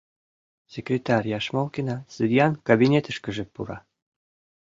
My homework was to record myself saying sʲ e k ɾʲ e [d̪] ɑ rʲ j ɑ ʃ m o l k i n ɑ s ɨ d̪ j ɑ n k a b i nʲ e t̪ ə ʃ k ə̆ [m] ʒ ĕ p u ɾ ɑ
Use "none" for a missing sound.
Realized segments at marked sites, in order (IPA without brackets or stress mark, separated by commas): t̪, none